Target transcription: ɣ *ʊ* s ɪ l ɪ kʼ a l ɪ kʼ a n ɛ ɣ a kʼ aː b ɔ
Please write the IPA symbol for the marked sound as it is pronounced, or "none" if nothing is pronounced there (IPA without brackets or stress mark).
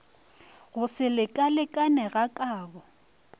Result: ʊ